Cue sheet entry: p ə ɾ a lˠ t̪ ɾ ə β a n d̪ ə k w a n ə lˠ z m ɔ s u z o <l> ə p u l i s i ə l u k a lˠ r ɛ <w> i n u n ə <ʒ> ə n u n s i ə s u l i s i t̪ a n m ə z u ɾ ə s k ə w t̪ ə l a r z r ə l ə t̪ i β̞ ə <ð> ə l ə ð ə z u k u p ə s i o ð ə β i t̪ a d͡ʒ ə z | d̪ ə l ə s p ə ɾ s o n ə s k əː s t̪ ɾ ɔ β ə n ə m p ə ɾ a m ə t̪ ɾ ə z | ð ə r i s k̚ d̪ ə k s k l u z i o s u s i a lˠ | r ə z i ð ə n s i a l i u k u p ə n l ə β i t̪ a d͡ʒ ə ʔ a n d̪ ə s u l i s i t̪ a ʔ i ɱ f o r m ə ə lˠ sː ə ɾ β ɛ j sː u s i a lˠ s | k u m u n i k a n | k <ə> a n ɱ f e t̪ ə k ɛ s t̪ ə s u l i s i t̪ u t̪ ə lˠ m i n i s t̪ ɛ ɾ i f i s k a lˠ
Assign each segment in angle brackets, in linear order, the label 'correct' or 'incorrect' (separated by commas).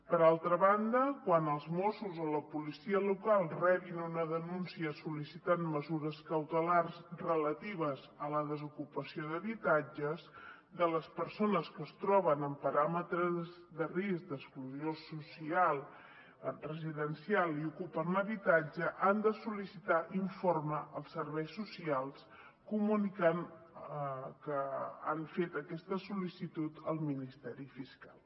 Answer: correct, incorrect, incorrect, incorrect, correct